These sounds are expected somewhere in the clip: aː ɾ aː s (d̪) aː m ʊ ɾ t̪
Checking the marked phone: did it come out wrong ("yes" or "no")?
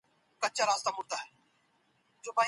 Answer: yes